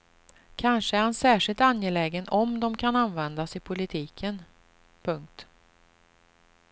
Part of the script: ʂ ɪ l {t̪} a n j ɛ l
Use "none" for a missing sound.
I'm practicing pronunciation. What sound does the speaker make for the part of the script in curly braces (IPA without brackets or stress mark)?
t̪